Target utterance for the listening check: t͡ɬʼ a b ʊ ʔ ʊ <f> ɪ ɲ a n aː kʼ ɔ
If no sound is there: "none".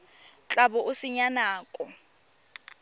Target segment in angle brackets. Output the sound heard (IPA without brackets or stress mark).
s